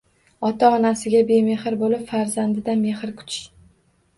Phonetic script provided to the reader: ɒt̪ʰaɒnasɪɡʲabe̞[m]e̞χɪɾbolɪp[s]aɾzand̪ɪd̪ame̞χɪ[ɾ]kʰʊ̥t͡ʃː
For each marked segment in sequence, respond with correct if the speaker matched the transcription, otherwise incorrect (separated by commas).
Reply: correct, incorrect, correct